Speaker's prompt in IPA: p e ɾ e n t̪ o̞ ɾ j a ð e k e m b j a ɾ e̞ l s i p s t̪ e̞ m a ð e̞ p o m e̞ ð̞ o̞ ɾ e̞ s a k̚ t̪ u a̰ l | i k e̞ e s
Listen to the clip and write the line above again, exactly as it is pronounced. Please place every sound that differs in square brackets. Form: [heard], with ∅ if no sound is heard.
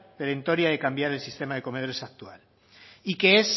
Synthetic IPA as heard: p e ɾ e n t̪ o̞ ɾ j a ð e k [a] m b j a ɾ e̞ l s i [∅] s t̪ e̞ m a ð e̞ [k] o m e̞ ð̞ o̞ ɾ e̞ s a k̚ t̪ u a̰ l | i k e̞ e s